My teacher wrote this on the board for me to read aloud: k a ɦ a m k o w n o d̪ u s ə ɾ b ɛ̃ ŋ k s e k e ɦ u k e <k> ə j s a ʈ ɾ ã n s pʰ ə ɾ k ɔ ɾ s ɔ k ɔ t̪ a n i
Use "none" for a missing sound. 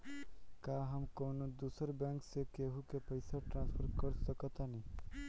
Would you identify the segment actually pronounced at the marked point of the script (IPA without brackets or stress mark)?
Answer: p